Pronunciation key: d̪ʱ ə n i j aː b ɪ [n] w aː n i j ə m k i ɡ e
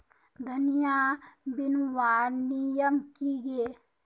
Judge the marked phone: correct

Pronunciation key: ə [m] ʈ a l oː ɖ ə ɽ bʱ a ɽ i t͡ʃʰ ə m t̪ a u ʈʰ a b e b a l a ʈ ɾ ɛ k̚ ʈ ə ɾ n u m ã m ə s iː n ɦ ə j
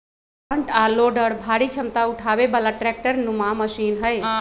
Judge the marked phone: incorrect: ɳ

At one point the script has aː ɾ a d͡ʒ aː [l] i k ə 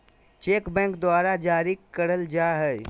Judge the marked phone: incorrect: ɾ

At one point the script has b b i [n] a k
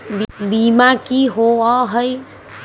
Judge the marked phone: incorrect: m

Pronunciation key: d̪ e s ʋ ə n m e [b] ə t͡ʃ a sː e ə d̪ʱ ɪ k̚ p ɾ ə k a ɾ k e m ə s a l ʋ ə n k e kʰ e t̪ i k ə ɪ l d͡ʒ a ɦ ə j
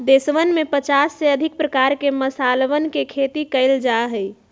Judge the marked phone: incorrect: p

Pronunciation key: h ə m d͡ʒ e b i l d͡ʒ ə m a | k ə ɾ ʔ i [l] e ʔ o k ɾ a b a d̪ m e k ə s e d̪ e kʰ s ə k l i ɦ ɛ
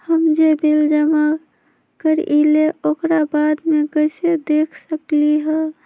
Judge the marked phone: correct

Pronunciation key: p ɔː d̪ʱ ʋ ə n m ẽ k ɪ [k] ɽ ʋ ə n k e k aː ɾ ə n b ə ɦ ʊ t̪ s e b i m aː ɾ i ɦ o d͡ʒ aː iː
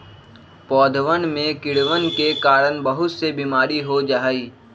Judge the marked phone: incorrect: none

